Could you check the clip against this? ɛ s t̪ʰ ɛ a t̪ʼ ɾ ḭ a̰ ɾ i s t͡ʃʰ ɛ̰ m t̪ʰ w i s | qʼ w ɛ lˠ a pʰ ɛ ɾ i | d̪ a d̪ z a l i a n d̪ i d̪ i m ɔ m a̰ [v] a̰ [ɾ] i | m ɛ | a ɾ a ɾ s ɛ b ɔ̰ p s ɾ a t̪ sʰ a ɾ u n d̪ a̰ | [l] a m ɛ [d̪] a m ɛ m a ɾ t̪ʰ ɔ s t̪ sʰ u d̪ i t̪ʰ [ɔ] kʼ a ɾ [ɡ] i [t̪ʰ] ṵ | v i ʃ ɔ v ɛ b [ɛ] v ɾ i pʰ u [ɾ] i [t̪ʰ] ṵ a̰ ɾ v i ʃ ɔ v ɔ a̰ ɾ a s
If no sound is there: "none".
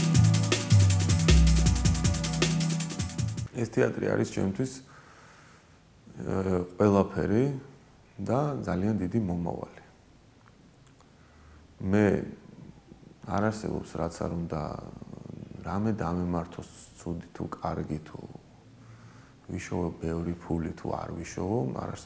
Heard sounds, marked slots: v, l, ɾ, d̪, u, ɡ, t̪ʰ, ɛ, l, t̪ʰ

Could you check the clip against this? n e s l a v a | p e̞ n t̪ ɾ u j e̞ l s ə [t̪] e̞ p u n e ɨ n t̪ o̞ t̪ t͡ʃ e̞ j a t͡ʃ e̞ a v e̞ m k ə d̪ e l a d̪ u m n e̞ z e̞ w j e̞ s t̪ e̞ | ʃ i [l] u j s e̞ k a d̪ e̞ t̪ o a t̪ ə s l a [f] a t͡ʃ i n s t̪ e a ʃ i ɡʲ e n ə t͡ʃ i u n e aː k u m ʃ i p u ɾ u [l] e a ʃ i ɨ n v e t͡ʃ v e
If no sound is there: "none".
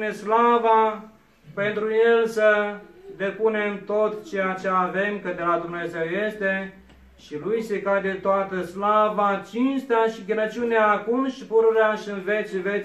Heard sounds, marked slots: d̪, l, v, ɾ

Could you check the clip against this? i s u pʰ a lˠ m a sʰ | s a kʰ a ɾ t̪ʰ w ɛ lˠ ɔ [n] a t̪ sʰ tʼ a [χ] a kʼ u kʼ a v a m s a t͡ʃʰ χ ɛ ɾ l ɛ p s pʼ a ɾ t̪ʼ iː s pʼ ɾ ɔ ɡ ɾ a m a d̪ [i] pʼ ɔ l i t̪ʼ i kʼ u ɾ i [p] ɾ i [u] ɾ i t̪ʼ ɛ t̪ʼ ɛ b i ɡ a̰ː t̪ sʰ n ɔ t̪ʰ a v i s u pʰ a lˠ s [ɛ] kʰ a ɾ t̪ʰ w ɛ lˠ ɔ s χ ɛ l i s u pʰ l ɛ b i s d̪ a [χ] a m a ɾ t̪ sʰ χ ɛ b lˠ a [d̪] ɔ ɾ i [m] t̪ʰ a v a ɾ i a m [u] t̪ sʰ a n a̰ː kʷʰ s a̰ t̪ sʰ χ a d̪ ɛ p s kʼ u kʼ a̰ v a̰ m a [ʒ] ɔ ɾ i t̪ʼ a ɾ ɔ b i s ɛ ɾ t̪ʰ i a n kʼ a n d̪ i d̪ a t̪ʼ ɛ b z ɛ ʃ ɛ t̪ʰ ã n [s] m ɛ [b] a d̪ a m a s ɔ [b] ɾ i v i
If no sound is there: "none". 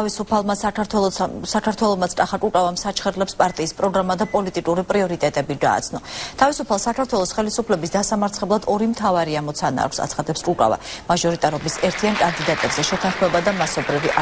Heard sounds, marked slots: m, χ, a, pʼ, ɔ, a, s, d̪, m, ɔ, ʒ, χ, b, b

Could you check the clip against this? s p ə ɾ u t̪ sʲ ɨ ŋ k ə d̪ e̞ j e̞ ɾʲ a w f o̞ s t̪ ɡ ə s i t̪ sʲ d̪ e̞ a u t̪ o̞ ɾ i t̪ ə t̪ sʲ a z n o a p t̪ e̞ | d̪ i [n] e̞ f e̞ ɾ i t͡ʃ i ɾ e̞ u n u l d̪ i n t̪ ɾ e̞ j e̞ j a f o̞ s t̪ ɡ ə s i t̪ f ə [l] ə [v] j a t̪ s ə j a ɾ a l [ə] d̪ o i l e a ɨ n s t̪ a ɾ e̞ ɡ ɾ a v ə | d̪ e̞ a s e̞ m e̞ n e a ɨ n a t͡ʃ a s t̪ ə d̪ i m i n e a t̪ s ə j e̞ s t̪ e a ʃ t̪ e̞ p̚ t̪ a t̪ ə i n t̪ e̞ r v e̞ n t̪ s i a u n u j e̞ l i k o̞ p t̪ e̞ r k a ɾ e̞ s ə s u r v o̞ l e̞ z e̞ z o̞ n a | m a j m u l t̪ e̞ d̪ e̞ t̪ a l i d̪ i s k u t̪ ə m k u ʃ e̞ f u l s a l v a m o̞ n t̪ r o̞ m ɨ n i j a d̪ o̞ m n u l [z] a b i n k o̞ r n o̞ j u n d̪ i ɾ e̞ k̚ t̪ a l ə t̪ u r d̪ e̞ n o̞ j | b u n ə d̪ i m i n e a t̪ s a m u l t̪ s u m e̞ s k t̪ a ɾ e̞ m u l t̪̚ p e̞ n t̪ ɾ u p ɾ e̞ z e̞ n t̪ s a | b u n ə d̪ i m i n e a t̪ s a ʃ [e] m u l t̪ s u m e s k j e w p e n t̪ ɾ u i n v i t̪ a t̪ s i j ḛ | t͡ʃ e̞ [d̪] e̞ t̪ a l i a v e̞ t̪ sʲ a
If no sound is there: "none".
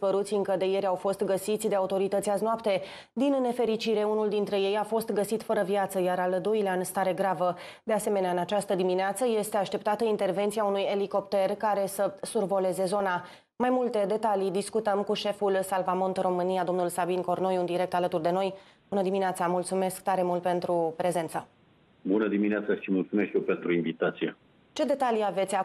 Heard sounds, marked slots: nː, ɾ, v, ə, s, i, d̪

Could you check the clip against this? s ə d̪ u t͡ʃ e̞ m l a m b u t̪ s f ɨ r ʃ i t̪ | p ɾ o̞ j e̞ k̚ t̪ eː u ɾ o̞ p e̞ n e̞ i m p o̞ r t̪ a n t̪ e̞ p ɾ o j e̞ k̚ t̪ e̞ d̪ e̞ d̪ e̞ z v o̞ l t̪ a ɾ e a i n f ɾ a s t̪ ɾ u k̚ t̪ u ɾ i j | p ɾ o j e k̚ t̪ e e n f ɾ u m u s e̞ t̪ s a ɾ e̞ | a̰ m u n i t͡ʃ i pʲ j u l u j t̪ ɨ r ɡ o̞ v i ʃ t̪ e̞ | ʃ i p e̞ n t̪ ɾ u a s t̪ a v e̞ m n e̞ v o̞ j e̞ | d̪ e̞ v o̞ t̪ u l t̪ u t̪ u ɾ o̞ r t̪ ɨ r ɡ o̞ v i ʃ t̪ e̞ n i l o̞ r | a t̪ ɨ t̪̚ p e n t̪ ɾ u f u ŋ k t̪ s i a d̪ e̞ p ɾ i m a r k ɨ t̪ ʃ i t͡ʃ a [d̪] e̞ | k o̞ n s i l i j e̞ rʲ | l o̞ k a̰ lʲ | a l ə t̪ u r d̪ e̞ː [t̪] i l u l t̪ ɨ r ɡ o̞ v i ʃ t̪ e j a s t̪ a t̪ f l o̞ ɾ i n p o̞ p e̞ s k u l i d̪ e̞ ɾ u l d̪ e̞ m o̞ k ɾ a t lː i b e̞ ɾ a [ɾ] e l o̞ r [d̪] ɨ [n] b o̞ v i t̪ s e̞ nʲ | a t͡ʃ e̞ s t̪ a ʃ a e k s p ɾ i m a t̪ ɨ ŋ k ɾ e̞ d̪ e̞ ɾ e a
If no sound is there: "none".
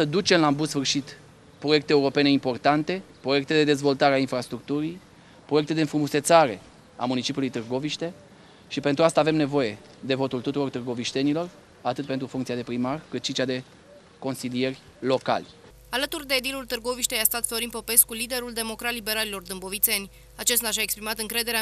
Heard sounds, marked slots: d̪, d̪, l, d̪, m

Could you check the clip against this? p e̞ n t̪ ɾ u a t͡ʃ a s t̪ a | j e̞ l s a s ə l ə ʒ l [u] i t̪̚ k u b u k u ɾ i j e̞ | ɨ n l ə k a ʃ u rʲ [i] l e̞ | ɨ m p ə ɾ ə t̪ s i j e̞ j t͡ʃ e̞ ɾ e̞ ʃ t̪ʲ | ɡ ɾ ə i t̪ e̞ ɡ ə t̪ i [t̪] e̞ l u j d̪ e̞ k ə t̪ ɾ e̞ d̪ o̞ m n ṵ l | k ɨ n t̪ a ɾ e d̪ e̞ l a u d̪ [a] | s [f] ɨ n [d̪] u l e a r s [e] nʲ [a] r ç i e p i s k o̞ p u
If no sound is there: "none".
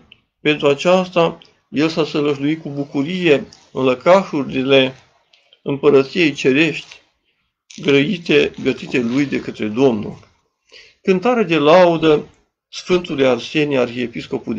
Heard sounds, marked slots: u, i, t̪, ə, f, t̪, e, a

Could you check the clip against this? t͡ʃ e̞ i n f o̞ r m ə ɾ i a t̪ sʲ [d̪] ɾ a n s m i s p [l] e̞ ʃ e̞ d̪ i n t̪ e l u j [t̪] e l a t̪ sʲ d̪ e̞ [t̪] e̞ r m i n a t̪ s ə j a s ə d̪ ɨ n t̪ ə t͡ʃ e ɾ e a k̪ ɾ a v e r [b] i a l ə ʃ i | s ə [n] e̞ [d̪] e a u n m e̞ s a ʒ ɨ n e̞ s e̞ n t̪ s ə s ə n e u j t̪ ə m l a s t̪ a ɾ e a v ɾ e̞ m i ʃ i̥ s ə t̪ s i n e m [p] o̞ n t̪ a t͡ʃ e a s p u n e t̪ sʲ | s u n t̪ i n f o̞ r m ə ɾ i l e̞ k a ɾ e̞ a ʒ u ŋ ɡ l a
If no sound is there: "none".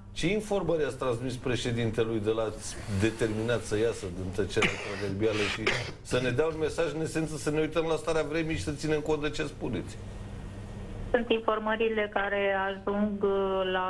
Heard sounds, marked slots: t̪, ɾ, d̪, t̪, b, n, d̪, k

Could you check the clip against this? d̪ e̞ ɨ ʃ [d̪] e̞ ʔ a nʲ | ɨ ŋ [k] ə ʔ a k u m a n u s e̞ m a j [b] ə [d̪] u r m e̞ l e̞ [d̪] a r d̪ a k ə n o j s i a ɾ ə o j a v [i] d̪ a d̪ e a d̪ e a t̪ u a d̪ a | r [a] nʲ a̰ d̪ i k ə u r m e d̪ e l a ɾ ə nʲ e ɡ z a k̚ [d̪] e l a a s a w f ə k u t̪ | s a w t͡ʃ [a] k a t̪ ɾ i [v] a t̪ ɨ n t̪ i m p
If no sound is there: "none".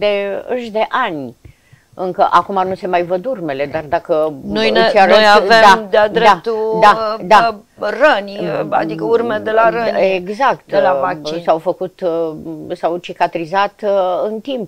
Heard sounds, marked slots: d̪, k, v, d̪, d̪, e, ə, t̪, i, z

